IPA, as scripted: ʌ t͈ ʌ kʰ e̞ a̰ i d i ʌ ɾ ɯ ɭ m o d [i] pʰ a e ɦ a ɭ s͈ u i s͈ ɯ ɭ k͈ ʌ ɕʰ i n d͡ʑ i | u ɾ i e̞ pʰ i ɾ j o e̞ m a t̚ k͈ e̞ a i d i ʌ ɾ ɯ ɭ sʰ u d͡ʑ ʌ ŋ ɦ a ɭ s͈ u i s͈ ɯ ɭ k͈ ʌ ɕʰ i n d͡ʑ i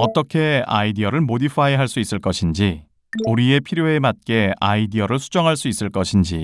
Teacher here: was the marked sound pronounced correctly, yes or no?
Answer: yes